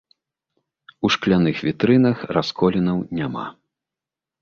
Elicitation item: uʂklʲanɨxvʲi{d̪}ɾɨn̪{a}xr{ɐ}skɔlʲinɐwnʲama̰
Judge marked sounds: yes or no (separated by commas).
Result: no, no, no